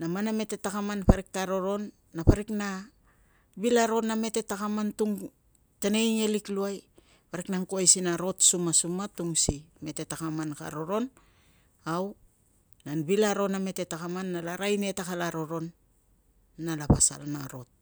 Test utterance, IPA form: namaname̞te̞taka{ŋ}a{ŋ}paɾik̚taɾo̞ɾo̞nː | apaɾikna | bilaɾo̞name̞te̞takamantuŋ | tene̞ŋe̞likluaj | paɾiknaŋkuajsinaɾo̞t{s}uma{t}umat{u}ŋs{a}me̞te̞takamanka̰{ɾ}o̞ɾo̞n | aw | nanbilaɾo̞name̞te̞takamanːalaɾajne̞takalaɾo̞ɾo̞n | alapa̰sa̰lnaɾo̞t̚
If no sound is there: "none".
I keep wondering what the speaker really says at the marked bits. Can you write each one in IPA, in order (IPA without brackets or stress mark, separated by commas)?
m, n, s, s, u, i, ɾ